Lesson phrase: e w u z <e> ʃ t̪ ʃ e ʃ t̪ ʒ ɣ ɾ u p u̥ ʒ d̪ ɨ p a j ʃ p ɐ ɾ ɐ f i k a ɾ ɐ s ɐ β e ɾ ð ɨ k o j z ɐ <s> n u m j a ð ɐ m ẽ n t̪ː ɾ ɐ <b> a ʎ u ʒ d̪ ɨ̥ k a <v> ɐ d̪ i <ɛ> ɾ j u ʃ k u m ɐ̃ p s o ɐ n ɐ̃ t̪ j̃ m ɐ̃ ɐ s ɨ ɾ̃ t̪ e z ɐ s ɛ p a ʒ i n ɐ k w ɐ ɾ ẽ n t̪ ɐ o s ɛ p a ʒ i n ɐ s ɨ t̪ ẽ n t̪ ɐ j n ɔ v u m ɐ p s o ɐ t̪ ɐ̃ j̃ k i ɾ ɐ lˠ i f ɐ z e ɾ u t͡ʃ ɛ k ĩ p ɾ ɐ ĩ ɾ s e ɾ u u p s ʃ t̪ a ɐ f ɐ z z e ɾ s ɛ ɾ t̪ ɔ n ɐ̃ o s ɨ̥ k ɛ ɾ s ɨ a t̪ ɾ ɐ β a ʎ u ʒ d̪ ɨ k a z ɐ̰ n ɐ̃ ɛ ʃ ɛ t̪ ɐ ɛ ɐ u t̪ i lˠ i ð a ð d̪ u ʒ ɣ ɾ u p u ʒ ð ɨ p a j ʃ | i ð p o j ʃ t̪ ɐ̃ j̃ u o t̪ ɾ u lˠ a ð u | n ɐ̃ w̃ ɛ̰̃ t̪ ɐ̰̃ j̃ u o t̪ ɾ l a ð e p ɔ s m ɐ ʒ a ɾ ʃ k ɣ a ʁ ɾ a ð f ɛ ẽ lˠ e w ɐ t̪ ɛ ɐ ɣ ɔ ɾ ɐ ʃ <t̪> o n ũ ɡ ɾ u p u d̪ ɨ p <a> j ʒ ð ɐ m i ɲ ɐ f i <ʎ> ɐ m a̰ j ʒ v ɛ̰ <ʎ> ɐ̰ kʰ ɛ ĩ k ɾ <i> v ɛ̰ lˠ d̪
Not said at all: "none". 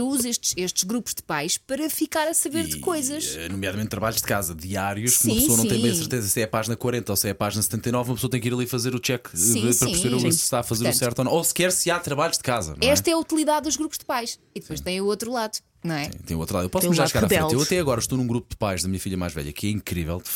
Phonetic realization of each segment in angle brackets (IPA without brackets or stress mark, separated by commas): e, ʃ, β, z, a, t̪, a, ʎ, ʎ, i